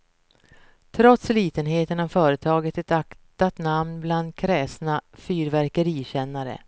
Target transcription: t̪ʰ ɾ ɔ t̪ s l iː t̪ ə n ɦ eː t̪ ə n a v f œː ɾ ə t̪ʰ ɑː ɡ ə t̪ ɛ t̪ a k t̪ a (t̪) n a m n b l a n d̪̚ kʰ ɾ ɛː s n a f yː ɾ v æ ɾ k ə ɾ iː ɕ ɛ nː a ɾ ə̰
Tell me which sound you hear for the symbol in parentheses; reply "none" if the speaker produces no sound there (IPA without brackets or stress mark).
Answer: t̪